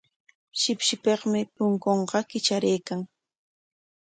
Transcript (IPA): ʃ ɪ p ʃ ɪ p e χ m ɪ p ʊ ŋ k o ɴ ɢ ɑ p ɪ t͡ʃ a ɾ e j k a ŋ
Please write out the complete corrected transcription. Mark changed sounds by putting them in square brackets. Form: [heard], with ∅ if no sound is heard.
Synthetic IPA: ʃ ɪ p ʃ ɪ p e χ m ɪ p ʊ ŋ k o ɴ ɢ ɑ [k] ɪ t͡ʃ a ɾ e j k a ŋ